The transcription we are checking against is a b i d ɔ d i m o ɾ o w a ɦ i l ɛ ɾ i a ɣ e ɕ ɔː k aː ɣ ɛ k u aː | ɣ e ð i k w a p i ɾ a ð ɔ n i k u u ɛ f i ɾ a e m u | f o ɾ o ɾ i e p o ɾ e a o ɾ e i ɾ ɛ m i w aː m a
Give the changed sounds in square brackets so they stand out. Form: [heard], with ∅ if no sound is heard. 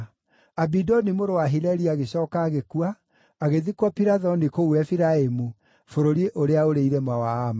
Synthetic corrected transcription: a b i d ɔ [n] i m o ɾ o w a ɦ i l ɛ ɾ i a ɣ e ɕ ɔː k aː ɣ [e] k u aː | ɣ e ð i k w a p i ɾ a ð ɔ n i k [o] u ɛ f i ɾ a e m u | f o ɾ o ɾ i e [ʔ] o ɾ e a o ɾ e i ɾ ɛ m [a] w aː m a